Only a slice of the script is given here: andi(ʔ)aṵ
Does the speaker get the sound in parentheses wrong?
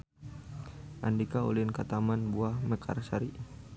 yes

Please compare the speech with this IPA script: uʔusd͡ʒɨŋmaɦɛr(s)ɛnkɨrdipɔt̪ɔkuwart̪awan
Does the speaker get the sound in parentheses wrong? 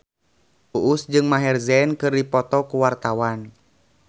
yes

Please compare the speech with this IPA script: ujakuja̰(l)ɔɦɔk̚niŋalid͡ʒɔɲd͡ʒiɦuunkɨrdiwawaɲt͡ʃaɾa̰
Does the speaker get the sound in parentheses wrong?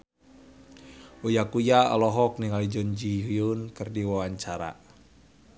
no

